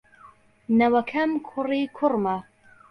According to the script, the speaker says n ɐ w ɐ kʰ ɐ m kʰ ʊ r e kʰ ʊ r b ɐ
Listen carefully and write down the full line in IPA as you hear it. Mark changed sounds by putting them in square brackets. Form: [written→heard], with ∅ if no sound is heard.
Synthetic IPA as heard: n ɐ w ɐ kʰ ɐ m kʰ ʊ r [e→i] kʰ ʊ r [b→m] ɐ